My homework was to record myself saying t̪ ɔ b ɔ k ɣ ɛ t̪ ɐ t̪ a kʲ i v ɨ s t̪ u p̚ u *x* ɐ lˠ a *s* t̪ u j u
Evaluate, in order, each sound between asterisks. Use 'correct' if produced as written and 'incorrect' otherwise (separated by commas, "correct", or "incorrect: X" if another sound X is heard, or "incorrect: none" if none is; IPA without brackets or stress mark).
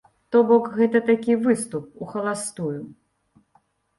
correct, correct